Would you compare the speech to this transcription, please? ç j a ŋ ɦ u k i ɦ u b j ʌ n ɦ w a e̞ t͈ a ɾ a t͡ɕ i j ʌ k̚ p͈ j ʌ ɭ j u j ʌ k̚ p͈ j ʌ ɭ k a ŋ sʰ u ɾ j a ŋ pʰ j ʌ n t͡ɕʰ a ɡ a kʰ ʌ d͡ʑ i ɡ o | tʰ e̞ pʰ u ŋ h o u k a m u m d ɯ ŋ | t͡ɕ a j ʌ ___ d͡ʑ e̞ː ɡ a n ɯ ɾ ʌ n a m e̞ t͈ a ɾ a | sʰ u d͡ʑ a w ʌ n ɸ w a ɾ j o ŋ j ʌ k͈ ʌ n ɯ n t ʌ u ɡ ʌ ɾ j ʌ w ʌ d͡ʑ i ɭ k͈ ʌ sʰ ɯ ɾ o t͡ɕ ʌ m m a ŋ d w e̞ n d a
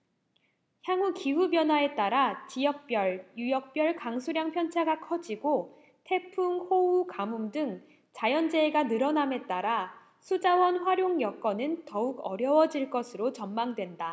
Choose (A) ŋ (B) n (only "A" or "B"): B